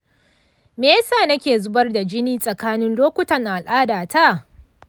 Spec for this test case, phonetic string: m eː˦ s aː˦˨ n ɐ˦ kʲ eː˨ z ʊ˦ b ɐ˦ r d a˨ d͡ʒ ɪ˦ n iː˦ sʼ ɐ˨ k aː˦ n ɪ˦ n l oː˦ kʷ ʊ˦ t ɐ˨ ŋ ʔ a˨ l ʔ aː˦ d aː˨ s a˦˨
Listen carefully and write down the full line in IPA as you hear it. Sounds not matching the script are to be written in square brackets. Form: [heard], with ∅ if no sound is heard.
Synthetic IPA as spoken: m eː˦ s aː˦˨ n ɐ˦ kʲ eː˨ z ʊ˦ b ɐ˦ r d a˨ d͡ʒ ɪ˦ n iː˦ sʼ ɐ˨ k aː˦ n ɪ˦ n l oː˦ kʷ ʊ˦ t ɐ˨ ŋ ʔ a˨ l ʔ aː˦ d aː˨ [t] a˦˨